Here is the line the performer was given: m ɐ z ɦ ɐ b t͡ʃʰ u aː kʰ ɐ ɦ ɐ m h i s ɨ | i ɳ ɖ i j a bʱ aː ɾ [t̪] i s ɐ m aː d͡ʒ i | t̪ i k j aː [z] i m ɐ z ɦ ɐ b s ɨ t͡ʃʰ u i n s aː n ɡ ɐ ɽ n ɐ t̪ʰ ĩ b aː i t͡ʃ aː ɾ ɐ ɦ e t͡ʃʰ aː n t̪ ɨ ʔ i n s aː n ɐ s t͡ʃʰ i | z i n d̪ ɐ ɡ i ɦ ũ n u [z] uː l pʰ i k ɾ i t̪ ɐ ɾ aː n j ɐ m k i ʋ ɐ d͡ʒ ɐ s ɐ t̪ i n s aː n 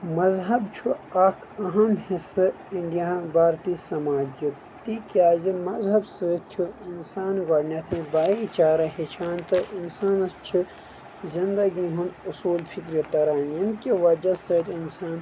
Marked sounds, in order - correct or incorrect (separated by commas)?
correct, correct, incorrect